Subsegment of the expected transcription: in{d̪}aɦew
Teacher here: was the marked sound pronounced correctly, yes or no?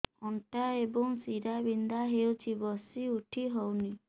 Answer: yes